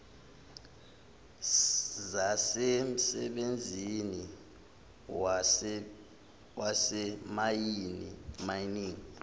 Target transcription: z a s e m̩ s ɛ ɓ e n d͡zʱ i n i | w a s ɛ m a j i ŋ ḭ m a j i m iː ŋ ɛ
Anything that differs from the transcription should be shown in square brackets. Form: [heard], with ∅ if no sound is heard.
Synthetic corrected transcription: z a s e m̩ s ɛ ɓ e n d͡zʱ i n i | w a s ɛ m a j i [n] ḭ m a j i [n] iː ŋ [i]